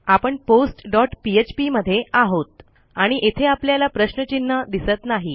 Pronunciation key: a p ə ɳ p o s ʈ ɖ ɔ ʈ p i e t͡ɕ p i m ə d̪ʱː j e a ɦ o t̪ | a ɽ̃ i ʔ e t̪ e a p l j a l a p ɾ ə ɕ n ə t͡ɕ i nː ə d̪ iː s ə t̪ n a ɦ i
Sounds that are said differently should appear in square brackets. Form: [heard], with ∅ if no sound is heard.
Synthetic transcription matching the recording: a p ə ɳ p o s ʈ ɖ ɔ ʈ p i e t͡ɕ p i m ə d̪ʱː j e a ɦ o t̪ | a ɽ̃ i ʔ e [t̪ʰ] e a p l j a l a p ɾ ə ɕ n ə t͡ɕ i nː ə d̪ [i] s ə t̪ n a ɦ i